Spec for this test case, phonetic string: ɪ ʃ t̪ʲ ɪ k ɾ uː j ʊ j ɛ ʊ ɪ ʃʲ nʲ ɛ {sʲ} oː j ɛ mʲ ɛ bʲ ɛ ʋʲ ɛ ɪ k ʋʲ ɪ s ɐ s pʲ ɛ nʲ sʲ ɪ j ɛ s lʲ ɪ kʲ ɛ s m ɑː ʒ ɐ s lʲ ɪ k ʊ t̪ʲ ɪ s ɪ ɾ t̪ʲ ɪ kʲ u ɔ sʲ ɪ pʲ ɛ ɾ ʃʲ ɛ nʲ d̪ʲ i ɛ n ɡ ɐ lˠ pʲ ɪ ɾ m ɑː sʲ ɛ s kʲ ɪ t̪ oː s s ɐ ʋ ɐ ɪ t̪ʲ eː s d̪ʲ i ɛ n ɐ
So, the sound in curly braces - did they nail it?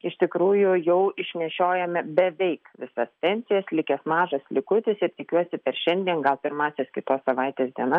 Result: no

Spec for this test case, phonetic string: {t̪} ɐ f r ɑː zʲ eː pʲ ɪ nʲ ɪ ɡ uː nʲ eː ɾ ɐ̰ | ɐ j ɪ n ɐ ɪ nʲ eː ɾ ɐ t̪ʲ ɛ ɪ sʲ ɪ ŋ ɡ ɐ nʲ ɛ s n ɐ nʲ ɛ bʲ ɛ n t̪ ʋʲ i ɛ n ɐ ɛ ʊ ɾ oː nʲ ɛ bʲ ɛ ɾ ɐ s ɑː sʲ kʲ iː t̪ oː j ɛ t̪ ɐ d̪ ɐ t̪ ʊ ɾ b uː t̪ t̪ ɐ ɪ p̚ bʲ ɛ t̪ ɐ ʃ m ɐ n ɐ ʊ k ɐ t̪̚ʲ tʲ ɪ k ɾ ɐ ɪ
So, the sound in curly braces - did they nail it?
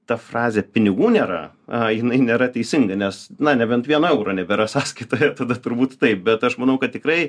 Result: yes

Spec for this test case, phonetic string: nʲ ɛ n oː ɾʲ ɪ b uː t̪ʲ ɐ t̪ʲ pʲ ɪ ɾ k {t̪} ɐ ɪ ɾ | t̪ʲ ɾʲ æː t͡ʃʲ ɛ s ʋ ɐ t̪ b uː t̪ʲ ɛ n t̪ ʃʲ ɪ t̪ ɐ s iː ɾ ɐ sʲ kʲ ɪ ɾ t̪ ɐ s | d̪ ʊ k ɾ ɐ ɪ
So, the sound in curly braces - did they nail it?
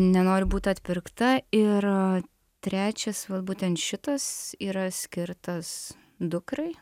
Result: yes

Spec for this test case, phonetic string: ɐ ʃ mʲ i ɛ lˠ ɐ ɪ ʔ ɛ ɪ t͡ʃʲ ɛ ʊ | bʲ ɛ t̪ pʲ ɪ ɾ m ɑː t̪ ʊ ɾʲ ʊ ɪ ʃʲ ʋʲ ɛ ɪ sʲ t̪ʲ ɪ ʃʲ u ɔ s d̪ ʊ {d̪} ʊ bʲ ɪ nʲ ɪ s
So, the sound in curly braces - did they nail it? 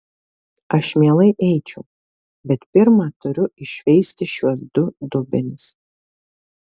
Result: yes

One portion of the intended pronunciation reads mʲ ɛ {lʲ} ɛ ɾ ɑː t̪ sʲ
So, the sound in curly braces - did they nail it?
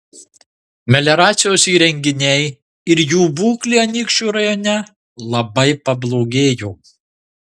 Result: yes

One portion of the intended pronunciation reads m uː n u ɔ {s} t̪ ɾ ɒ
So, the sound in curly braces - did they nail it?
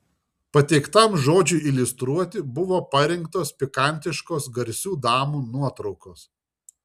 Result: no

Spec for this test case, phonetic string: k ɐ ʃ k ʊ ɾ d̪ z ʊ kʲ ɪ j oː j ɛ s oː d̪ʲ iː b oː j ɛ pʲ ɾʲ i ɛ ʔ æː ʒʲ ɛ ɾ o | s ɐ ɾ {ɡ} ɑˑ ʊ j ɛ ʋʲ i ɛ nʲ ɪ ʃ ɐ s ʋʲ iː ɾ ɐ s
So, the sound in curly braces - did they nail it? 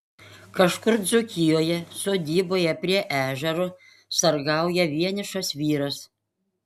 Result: yes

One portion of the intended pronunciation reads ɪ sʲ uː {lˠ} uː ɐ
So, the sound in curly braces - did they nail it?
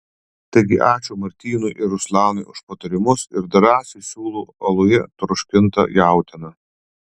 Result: yes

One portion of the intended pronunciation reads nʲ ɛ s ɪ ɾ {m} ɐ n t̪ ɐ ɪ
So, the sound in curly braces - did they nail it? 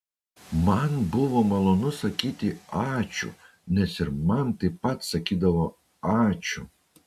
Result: yes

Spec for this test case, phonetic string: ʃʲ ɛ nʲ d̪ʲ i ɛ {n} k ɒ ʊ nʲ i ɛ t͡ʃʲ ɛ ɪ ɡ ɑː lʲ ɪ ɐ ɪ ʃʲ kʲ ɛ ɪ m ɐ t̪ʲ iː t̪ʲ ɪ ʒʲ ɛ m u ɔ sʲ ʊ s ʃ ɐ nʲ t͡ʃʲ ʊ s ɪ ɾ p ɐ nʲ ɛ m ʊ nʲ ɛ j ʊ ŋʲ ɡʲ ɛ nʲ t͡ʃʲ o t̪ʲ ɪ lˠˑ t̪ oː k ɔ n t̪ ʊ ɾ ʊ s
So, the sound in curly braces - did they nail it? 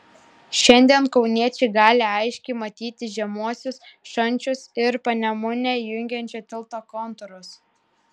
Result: yes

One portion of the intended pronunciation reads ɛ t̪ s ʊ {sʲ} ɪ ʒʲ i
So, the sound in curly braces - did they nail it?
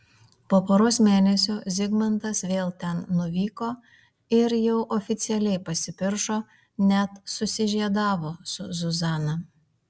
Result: yes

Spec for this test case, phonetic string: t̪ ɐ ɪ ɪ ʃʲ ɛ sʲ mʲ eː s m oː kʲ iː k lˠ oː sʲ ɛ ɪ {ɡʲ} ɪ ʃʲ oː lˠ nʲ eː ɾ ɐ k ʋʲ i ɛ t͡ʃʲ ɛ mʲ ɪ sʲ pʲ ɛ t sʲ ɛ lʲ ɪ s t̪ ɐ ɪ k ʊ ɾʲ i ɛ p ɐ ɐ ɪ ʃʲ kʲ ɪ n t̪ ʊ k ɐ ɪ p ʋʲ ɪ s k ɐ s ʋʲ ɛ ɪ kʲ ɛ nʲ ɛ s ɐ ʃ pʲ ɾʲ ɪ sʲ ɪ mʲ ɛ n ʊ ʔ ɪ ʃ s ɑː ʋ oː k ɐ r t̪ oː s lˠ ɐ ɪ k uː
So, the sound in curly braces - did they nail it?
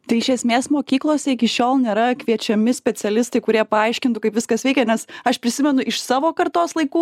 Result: no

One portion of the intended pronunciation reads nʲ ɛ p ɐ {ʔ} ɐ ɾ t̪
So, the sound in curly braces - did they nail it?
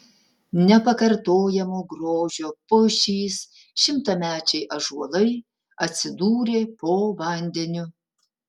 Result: no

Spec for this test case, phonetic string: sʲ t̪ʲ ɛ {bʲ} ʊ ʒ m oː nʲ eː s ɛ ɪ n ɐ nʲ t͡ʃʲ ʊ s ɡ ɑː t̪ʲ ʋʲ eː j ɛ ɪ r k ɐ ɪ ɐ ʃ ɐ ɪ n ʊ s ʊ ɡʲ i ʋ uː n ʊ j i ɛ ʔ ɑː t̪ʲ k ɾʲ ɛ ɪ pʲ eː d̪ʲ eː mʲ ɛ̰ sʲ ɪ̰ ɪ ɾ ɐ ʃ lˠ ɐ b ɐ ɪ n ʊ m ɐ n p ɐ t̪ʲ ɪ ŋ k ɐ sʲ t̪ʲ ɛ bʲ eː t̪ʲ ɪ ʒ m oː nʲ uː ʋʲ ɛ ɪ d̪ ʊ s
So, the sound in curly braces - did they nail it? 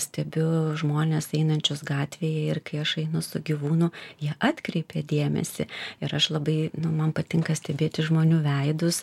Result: yes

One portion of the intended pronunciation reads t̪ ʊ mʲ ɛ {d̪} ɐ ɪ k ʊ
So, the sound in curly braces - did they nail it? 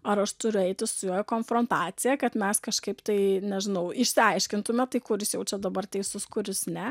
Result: no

